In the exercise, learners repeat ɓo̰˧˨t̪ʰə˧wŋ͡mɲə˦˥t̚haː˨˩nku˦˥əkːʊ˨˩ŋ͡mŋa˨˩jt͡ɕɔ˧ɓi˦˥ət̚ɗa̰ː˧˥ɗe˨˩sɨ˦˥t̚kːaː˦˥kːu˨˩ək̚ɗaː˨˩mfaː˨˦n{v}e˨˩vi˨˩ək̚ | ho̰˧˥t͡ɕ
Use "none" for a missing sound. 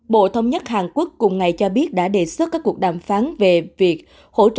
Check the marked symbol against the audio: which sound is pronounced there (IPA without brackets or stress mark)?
v